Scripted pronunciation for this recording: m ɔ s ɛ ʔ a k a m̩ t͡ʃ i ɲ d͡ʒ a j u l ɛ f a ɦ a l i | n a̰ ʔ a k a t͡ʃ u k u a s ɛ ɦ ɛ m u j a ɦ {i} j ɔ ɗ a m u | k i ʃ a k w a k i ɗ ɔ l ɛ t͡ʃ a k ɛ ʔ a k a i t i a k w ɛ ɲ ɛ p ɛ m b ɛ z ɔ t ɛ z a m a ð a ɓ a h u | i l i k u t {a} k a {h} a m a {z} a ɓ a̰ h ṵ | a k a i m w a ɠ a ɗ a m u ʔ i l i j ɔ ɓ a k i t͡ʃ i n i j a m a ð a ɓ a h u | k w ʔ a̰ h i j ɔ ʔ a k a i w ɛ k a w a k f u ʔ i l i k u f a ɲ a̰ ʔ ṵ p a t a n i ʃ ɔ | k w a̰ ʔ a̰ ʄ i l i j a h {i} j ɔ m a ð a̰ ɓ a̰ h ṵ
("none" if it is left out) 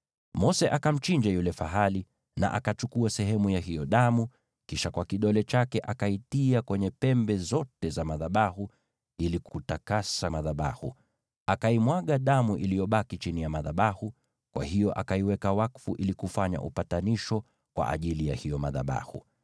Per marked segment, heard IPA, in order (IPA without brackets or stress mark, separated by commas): i, a, s, ð, i